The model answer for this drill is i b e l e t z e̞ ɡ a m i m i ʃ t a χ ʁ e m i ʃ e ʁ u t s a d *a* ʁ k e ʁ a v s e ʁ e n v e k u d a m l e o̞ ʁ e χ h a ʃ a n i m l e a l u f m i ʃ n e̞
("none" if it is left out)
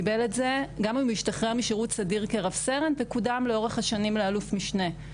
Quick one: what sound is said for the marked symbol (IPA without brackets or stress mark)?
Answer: i